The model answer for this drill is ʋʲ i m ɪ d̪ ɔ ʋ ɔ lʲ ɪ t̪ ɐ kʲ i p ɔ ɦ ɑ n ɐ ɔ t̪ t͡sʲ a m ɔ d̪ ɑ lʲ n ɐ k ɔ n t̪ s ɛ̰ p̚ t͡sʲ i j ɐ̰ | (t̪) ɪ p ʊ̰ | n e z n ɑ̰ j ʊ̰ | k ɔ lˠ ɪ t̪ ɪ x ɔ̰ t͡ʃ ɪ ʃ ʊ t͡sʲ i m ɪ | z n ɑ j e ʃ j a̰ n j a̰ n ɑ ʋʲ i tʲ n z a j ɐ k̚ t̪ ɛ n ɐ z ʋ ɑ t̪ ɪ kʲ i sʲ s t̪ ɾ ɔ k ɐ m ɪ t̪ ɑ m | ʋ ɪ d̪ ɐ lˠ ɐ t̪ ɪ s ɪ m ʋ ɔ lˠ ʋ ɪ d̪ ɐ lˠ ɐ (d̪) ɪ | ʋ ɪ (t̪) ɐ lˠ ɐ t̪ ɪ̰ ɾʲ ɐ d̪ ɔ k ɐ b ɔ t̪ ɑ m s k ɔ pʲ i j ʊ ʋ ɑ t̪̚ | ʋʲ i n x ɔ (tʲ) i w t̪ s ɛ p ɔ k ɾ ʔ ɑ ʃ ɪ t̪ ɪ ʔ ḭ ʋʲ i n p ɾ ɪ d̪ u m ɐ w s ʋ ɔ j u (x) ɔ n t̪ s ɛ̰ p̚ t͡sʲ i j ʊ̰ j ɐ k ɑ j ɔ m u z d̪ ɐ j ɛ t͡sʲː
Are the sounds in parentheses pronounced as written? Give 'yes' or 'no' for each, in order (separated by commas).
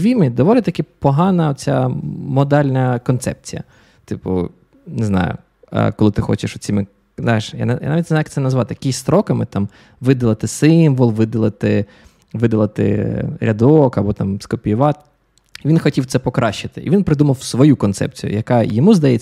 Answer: yes, no, no, yes, no